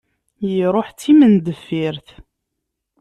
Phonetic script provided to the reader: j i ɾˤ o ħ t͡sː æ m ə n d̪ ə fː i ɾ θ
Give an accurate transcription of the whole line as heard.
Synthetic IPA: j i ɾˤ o ħ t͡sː i m ə n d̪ ə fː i ɾ θ

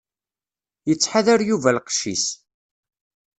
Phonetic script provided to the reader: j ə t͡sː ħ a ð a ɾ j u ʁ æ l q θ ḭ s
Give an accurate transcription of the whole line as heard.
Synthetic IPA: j ə t͡sː ħ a ð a ɾ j u v æ l q ʃ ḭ s

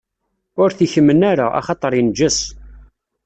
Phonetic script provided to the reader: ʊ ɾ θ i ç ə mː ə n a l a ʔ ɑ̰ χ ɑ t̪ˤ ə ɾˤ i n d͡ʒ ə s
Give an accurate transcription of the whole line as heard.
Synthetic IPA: ʊ ɾ θ i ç ə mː ə n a ɾ a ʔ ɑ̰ χ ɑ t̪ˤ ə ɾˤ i n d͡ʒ ə s

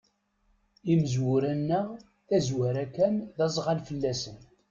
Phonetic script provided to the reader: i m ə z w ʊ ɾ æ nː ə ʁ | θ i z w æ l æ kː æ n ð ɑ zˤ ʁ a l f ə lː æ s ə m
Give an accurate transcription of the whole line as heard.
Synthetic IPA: i m ə z w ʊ ɾ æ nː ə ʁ | θ æ z w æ ɾ æ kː æ n ð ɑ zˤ ʁ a l f ə lː æ s ə n

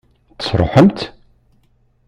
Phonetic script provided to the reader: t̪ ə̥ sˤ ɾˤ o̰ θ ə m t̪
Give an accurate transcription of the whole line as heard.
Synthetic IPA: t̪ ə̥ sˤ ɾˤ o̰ ħ ə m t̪

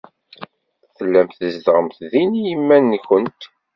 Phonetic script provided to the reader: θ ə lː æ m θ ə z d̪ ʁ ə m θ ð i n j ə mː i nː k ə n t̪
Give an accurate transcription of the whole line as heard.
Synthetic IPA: θ ə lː æ m θ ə z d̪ ʁ ə m θ ð i n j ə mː æ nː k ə n t̪

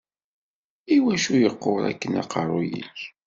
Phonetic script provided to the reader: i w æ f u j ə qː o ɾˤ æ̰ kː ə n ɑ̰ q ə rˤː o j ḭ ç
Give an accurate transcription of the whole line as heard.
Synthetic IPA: i w æ ʃ u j ə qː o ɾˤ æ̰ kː ə n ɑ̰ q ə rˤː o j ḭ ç

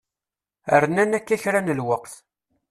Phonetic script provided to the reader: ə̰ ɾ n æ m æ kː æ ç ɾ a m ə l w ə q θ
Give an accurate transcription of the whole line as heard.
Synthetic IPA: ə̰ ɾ n æ n æ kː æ ç ɾ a n ə l w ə q θ

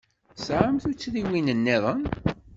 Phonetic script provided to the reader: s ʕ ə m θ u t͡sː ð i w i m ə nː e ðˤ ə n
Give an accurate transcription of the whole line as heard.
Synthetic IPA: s ʕ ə m θ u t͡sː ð i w i n ə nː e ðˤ ə n

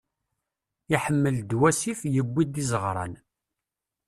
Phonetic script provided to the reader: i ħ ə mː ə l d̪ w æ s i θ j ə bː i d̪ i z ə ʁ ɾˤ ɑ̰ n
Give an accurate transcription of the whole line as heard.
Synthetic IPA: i ħ ə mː ə l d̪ w æ s i f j ə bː i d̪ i z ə ʁ ɾˤ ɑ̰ n

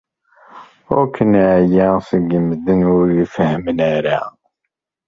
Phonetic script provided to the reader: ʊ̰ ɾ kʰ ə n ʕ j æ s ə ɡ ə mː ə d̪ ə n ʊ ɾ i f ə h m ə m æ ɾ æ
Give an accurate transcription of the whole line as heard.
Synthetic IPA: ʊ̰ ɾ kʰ ə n ʕ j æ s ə ɡ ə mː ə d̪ ə n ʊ ɾ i f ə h m ə n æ ɾ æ

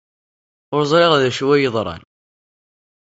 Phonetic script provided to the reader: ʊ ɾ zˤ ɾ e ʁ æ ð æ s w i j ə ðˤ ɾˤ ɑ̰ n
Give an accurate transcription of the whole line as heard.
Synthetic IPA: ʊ ɾ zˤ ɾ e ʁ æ ð æ ʃ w æ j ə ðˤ ɾˤ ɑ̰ n

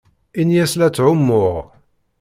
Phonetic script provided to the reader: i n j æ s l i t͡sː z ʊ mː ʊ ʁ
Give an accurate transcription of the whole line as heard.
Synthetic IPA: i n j æ s l æ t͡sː ʕ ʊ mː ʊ ʁ

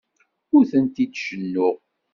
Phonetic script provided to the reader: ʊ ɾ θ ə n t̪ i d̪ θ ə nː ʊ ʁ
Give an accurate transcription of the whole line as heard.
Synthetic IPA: ʊ ɾ θ ə n t̪ i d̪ ʃ ə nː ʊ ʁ

